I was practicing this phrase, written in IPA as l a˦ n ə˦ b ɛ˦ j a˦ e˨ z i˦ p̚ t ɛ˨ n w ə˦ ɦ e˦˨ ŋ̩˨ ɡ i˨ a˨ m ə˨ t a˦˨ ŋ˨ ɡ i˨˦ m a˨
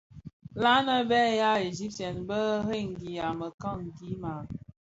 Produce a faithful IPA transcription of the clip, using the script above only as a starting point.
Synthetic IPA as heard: l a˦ n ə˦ b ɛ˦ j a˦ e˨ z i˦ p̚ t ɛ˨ n b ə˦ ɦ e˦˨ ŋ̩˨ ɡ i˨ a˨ m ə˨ k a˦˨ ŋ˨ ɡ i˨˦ m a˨

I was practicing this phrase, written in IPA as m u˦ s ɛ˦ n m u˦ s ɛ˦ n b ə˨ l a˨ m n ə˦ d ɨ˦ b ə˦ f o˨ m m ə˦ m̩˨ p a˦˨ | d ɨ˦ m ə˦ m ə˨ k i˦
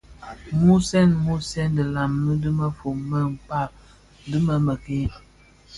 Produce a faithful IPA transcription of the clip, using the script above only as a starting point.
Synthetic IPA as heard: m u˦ s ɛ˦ n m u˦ s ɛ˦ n d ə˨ l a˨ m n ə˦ d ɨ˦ m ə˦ f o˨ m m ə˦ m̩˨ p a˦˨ | d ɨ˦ m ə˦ m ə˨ k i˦

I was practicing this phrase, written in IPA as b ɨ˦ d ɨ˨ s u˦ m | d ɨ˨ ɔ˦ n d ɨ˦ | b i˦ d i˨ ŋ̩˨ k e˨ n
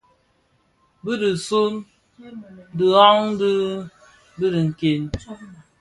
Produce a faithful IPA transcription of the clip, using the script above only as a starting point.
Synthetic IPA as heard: b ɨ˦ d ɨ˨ s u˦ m | d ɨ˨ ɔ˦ ŋ d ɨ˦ | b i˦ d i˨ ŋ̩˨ k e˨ n

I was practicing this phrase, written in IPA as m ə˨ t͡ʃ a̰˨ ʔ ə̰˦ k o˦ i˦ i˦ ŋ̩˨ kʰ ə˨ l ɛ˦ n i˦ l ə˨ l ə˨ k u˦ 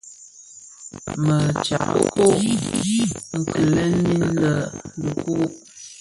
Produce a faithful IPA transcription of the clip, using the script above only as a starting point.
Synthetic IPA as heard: m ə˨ t͡ʃ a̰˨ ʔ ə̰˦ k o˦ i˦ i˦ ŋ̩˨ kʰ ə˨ l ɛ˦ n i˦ l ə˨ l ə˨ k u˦

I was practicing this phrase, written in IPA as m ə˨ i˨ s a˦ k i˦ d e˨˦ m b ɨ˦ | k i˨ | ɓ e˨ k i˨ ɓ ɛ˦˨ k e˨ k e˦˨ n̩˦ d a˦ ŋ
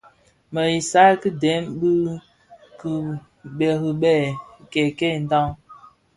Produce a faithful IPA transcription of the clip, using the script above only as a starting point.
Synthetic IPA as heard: m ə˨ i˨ s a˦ k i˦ d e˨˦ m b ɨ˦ | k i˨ | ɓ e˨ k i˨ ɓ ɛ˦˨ k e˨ k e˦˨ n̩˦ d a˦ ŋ

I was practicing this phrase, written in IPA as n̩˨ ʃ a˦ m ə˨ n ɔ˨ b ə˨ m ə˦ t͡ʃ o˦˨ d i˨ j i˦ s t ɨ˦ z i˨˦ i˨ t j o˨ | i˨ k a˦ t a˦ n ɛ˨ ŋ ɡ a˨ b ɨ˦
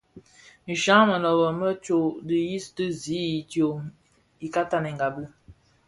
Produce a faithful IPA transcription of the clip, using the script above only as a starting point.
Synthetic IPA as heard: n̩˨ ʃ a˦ m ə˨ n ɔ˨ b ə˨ m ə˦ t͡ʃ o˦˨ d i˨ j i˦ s t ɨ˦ z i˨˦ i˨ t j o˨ | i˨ k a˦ t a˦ n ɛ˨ ŋ ɡ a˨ b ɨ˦

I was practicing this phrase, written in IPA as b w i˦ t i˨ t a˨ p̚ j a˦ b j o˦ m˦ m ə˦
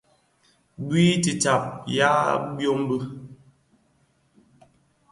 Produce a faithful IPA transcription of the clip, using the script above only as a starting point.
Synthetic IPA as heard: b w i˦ t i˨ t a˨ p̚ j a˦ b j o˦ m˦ b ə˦

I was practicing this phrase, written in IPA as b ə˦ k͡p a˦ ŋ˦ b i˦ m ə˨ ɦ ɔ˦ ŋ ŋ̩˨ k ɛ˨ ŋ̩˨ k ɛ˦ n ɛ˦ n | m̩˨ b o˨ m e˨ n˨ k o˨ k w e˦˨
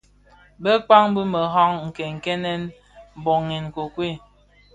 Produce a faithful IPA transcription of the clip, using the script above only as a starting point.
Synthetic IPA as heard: b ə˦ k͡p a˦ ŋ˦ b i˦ m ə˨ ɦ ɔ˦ ŋ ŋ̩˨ k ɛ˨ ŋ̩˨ k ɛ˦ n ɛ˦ n | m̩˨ b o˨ ŋ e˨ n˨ k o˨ k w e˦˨

